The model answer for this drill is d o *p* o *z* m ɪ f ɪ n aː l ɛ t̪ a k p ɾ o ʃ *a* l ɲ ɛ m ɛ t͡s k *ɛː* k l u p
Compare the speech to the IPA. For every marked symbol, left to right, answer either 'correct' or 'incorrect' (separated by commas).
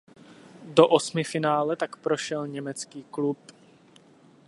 incorrect, incorrect, incorrect, incorrect